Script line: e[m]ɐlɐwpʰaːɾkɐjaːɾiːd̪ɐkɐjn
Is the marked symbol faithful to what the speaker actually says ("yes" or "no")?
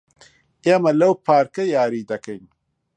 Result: yes